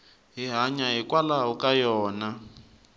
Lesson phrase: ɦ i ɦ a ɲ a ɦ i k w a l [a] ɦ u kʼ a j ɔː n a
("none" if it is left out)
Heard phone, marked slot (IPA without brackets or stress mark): a